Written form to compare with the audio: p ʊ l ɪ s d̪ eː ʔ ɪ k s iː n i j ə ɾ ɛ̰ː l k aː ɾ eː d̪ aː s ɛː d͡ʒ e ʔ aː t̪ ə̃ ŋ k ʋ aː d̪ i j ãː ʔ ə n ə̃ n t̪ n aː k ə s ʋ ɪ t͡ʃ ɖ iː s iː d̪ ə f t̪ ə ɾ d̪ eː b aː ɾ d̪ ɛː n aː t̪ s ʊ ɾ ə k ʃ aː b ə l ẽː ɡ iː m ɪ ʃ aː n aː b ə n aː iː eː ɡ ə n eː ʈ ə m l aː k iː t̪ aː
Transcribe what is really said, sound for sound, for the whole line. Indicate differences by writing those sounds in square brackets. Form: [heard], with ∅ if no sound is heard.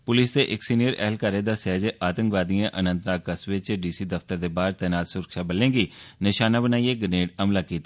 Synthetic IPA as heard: p ʊ l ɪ s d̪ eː ʔ ɪ k s iː n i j ə ɾ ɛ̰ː l k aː ɾ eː d̪ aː s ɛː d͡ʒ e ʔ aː t̪ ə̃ ŋ k ʋ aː d̪ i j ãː ʔ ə n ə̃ n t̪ n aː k ə s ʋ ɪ t͡ʃ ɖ iː s iː d̪ ə f t̪ ə ɾ d̪ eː b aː ɾ [t̪] ɛː n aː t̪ s ʊ ɾ ə k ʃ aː b ə l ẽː ɡ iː [n] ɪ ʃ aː n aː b ə n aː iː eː ɡ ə n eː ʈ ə m l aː k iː t̪ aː